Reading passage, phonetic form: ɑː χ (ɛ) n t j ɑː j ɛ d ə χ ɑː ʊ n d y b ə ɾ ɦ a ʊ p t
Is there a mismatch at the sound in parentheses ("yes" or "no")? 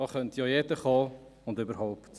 yes